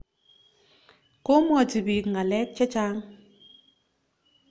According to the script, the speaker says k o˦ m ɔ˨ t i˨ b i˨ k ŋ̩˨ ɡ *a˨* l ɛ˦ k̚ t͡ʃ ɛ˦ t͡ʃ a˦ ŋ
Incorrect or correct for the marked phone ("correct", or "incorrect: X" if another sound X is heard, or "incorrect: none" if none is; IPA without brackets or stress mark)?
correct